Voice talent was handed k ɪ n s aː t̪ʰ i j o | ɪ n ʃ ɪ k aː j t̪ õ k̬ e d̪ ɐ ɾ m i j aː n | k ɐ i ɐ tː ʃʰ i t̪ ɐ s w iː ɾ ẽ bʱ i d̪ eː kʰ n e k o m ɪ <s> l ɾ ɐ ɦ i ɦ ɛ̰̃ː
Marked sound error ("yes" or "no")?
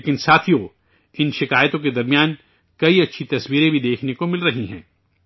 yes